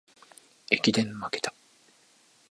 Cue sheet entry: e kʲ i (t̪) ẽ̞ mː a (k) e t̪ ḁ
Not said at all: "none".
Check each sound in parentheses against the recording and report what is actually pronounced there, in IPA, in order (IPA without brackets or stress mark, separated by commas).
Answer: d̪, k